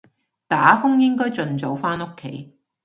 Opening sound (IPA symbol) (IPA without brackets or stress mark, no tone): t̪